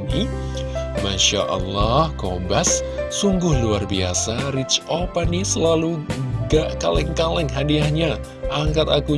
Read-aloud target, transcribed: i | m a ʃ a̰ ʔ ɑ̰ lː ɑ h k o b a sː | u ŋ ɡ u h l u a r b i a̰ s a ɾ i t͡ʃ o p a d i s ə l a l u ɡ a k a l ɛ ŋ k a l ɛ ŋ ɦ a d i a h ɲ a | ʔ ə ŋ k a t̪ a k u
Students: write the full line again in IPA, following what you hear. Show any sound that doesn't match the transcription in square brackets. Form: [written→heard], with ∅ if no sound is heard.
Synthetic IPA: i | m a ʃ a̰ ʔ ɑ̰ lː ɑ h k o b a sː | u ŋ ɡ [u→ʊ] h l u a r b i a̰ s a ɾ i t͡ʃ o p a [d→n] i s ə l a l u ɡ a k a l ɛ ŋ k a l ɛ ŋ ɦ a d i a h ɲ a | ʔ [ə→a] ŋ k a t̪ a k u